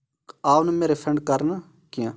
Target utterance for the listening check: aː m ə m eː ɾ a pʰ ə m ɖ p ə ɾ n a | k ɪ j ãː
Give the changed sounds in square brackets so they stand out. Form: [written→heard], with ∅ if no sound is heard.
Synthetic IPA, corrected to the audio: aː [m→n] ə m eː ɾ [a→e] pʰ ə [m→ɳ] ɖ [p→k] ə ɾ n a | k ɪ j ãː